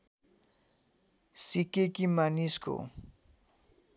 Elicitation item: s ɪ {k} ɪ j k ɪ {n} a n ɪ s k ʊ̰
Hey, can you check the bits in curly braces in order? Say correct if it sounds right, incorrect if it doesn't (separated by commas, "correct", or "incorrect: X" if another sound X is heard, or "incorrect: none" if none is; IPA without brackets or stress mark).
correct, incorrect: m